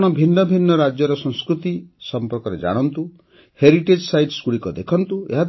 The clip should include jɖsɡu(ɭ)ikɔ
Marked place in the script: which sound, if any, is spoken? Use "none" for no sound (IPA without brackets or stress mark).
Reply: ɽ